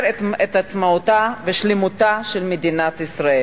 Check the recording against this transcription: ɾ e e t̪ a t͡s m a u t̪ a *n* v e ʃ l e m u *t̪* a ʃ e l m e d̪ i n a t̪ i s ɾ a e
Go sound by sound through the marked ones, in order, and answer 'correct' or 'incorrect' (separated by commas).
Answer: incorrect, correct